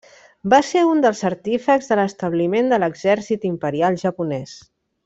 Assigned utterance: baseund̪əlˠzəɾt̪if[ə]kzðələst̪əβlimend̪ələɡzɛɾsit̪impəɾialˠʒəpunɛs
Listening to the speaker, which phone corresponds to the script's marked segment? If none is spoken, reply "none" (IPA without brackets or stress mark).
ə